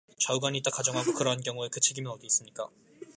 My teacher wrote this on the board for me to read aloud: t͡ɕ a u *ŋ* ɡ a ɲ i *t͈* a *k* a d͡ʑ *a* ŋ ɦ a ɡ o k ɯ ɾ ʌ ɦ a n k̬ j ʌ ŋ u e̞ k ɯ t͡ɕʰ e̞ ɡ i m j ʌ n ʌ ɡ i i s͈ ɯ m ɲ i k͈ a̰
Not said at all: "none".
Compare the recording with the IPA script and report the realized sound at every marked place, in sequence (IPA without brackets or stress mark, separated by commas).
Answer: none, t͈, k, ʌ